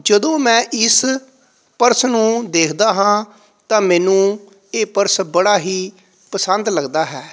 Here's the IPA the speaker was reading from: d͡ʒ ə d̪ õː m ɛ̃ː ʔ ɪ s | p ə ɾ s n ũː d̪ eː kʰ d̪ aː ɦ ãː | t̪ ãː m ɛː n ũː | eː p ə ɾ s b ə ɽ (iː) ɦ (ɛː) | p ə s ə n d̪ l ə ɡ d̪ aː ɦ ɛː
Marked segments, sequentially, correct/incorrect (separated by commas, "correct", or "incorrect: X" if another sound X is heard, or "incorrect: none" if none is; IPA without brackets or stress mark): incorrect: aː, incorrect: iː